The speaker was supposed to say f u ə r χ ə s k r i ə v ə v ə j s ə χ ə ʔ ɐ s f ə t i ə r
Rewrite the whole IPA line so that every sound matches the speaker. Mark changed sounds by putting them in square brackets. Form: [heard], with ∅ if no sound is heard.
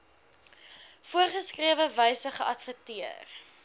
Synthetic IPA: f u ə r χ ə s k r i ə v ə v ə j s ə χ ə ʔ ɐ [t] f ə t i ə r